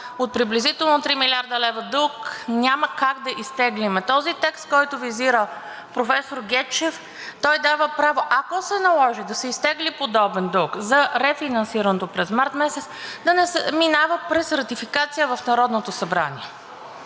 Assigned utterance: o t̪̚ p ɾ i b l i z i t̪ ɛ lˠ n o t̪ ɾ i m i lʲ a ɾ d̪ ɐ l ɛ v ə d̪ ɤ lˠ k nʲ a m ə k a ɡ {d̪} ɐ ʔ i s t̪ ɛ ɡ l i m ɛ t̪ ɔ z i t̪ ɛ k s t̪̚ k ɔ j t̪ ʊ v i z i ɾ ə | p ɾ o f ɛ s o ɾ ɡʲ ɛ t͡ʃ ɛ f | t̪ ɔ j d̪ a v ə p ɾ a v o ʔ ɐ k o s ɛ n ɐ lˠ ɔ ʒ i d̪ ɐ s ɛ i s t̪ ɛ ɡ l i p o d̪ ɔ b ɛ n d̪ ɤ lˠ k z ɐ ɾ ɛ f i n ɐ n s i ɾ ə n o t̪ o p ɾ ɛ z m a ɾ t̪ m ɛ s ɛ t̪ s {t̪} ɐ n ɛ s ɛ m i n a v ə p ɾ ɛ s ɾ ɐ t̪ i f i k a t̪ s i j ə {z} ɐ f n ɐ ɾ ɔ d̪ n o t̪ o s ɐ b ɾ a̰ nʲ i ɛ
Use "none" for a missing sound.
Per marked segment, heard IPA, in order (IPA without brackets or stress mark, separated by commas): d̪, d̪, v